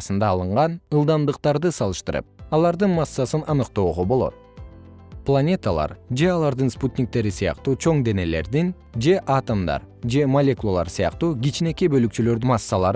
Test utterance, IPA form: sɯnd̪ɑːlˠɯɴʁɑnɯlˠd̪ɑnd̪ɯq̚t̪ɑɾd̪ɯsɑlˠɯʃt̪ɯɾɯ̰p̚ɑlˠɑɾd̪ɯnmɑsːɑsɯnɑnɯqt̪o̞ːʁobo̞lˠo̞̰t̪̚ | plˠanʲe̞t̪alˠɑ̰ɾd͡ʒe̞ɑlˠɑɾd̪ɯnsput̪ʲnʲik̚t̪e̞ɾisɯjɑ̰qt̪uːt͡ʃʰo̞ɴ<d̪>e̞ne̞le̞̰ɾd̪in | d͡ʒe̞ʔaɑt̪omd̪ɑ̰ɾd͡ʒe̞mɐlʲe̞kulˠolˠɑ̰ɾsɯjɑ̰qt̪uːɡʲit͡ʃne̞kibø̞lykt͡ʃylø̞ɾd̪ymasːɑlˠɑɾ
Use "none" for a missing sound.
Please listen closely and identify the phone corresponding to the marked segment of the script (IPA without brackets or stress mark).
d̪